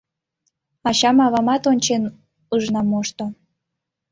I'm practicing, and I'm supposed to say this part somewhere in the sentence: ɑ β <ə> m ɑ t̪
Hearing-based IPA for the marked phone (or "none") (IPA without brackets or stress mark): ɑ